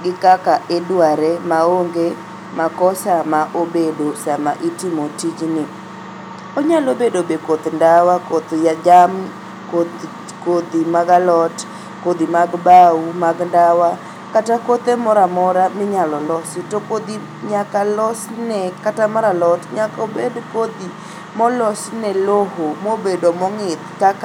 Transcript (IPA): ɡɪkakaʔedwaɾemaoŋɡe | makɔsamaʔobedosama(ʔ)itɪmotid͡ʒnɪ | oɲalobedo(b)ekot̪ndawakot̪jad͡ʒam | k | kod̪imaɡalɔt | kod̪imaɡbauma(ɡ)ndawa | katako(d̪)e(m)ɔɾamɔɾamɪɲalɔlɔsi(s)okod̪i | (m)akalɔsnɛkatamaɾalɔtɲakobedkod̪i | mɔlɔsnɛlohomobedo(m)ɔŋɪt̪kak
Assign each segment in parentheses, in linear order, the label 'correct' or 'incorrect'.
correct, correct, correct, incorrect: t̪, correct, incorrect: t, incorrect: ɲ, correct

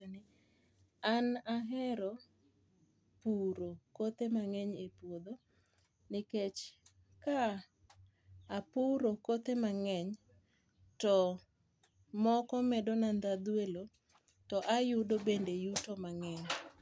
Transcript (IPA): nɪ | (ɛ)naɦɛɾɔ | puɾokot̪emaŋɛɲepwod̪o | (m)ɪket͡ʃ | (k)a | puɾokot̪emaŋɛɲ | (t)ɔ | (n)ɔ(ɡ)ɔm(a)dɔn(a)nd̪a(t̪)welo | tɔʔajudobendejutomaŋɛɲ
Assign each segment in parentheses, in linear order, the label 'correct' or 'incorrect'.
incorrect: a, incorrect: n, correct, correct, incorrect: m, incorrect: k, incorrect: ɛ, correct, incorrect: d̪

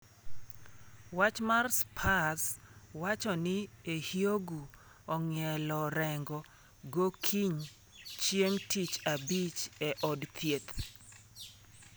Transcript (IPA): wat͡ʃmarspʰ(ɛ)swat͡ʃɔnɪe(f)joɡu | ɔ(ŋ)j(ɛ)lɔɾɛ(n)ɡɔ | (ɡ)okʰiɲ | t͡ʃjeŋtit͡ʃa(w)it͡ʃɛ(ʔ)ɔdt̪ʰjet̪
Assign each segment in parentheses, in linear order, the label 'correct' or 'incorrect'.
incorrect: a, incorrect: h, correct, correct, incorrect: ŋ, correct, incorrect: b, correct

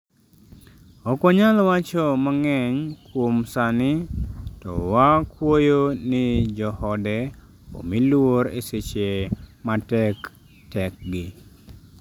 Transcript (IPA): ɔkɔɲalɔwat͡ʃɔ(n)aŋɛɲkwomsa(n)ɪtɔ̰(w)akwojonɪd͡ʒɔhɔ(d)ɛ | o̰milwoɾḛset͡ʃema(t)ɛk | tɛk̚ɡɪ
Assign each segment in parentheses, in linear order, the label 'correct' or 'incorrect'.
incorrect: m, correct, correct, correct, correct

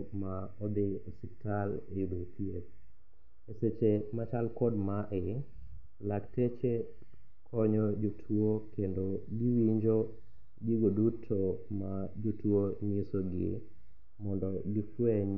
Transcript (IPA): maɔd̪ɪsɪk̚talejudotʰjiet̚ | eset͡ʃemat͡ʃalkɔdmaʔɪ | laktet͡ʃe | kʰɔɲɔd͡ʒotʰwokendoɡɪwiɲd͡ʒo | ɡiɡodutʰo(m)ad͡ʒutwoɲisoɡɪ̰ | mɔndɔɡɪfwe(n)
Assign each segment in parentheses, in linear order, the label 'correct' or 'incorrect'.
correct, incorrect: ɲ

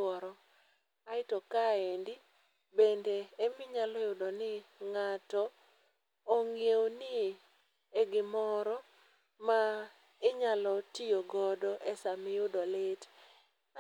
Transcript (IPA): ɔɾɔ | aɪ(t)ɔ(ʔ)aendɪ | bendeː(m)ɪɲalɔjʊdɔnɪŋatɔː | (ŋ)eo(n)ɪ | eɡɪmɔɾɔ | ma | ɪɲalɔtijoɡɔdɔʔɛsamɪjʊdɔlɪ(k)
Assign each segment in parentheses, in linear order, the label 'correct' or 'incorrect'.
correct, incorrect: k, correct, correct, correct, incorrect: t

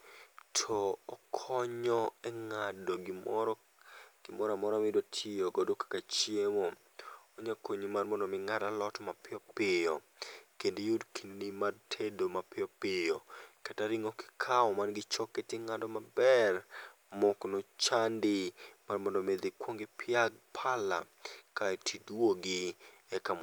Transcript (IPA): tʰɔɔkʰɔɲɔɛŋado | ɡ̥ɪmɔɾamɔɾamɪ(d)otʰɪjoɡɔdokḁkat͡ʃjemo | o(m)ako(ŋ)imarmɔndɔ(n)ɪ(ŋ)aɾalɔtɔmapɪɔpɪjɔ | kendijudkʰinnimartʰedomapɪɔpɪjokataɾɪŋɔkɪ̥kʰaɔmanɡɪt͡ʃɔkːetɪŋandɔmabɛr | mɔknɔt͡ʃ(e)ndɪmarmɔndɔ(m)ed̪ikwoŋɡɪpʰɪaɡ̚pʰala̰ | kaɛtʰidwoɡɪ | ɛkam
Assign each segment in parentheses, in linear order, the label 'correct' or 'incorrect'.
correct, incorrect: ɲ, incorrect: ɲ, incorrect: m, correct, incorrect: a, correct

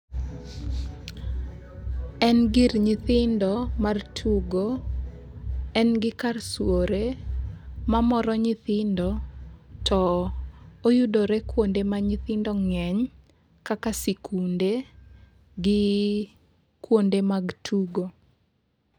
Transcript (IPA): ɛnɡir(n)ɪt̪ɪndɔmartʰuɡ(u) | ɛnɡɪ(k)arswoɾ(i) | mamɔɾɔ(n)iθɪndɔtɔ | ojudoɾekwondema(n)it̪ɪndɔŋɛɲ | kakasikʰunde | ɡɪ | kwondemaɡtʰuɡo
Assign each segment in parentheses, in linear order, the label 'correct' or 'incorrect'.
incorrect: ɲ, incorrect: o, correct, incorrect: e, incorrect: ɲ, incorrect: ɲ

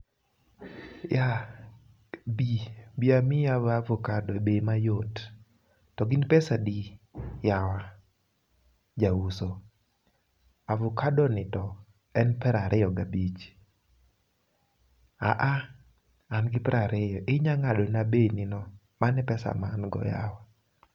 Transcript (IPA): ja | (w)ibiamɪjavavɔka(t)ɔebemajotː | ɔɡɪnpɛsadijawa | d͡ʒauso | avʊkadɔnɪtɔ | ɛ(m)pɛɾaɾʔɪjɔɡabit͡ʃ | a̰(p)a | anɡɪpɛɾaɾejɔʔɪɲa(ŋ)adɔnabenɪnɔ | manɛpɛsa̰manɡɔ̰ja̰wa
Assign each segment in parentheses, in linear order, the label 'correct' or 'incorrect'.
incorrect: b, incorrect: d, incorrect: n, incorrect: ʔ, correct

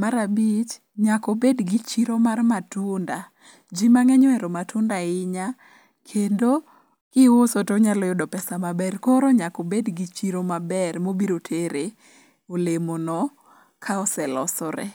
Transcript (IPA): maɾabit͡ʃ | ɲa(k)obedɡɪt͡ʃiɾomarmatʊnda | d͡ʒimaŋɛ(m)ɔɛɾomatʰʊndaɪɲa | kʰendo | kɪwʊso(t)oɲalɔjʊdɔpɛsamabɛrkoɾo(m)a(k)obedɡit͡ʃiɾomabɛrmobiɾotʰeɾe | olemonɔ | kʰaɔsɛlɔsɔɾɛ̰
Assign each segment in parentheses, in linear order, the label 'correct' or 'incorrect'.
correct, incorrect: ɲ, correct, incorrect: ɲ, correct

